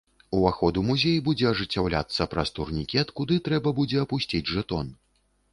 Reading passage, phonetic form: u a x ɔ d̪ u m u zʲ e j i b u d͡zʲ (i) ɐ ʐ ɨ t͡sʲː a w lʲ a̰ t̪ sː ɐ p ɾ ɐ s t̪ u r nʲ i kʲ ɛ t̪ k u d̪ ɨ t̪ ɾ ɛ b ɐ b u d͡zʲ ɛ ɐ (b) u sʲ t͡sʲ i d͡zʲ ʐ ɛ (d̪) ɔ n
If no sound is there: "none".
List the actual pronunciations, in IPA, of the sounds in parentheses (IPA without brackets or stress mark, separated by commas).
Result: ɛ, p, t̪